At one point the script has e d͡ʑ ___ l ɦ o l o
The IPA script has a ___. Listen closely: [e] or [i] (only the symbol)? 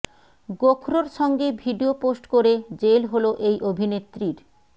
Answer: e